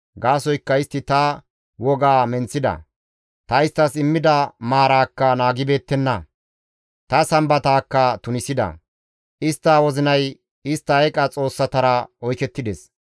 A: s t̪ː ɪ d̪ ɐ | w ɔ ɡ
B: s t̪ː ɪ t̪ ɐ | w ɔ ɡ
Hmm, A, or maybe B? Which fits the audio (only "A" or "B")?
B